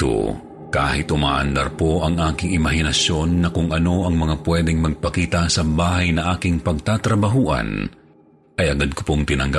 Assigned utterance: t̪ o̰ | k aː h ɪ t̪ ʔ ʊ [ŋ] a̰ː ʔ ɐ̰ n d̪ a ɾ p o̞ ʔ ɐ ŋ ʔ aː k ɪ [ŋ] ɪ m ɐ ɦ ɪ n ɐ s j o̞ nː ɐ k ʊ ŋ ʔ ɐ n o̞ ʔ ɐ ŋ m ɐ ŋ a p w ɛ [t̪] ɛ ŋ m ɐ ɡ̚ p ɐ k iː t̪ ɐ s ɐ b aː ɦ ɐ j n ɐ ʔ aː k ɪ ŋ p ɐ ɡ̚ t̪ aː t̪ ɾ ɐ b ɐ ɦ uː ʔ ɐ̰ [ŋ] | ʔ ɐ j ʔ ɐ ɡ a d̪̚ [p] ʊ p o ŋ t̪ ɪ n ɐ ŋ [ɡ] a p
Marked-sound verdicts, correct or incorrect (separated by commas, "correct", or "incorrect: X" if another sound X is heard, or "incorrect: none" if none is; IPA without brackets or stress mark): incorrect: m, correct, incorrect: d̪, incorrect: n, incorrect: k, correct